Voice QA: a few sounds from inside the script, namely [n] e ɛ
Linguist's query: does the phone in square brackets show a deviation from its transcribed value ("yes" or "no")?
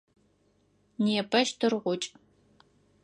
no